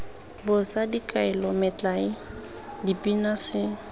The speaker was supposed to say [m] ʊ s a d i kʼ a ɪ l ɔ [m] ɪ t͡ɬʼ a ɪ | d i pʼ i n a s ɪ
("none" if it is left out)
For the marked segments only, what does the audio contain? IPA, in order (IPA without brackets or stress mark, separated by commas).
b, m